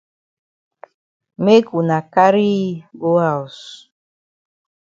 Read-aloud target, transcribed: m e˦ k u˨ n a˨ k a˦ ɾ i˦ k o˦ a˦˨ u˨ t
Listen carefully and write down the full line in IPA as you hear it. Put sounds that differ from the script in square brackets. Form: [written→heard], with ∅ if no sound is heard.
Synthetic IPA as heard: m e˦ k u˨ n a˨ k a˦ ɾ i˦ [k→ɡ] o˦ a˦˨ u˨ [t→s]